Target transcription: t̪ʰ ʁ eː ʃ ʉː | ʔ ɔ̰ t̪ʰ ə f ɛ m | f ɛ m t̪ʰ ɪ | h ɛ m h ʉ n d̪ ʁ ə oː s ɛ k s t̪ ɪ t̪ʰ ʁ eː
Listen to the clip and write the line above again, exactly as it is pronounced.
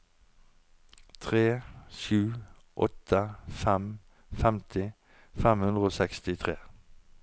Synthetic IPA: t̪ʰ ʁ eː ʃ ʉː | ʔ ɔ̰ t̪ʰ ə f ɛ m | f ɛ m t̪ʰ ɪ | f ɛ m h ʉ n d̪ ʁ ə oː s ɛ k s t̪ ɪ t̪ʰ ʁ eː